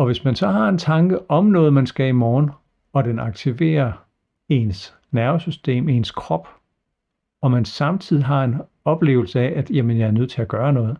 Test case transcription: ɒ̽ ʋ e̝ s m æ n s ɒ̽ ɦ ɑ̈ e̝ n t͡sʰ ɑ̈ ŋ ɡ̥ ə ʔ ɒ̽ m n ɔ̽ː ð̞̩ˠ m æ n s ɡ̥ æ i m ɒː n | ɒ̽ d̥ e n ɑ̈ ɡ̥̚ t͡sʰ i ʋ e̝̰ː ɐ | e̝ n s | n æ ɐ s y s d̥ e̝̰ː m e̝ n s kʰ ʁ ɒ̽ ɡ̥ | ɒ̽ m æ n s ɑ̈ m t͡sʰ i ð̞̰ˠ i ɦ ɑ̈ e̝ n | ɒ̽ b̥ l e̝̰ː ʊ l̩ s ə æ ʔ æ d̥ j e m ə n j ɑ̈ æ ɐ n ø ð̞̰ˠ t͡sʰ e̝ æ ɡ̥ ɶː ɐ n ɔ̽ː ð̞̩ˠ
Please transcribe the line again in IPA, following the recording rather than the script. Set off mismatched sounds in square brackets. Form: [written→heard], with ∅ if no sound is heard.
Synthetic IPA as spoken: ɒ̽ ʋ e̝ s m æ n s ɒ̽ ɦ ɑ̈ e̝ n t͡sʰ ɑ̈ ŋ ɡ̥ ə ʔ ɒ̽ m n ɔ̽ː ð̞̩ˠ m æ n s ɡ̥ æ i m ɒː n | ɒ̽ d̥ e n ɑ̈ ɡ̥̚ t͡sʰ i ʋ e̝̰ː ɐ | e̝ n s | n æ ɐ s y s d̥ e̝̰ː m e̝ n s kʰ ʁ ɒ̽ [ɡ̥→b̥] | ɒ̽ m æ n s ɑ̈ m t͡sʰ i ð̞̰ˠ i ɦ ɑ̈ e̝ n | ɒ̽ b̥ l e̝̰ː ʊ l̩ s ə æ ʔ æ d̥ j [e→æ] m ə n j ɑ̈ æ ɐ n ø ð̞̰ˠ t͡sʰ e̝ æ ɡ̥ ɶː ɐ n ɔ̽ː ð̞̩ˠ